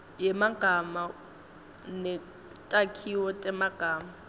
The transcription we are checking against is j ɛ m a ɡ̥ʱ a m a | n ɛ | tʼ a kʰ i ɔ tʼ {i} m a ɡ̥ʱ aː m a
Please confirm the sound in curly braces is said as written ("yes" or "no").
no